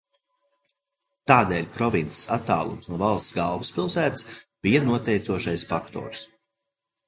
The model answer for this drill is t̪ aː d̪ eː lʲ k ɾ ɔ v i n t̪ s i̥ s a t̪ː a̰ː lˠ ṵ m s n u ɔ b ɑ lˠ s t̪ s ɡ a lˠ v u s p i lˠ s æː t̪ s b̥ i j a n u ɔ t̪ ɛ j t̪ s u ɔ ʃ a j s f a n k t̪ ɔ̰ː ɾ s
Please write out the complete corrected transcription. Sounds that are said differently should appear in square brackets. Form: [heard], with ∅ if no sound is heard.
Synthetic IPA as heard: t̪ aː d̪ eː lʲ [p] ɾ ɔ v i n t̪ s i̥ s a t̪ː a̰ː lˠ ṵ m s n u ɔ [v] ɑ lˠ s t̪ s ɡ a lˠ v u s p i lˠ s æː t̪ s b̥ i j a n u ɔ t̪ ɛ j t̪ s u ɔ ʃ a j s f a [∅] k t̪ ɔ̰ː ɾ s